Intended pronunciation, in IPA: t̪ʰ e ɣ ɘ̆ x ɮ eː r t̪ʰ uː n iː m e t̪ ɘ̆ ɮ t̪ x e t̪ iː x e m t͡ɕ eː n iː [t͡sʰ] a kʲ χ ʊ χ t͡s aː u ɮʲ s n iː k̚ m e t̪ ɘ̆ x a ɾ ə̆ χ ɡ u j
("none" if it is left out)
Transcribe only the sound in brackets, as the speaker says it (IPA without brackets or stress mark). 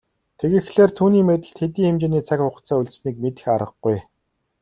t͡sʰ